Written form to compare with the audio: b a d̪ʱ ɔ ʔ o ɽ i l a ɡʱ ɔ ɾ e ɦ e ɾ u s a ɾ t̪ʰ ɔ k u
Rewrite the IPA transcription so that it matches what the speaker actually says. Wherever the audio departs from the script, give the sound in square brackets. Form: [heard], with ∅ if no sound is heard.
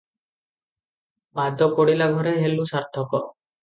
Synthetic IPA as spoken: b a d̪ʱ ɔ [k] o ɽ i l a ɡʱ ɔ ɾ e ɦ e [l] u s a ɾ t̪ʰ ɔ k [ɔ]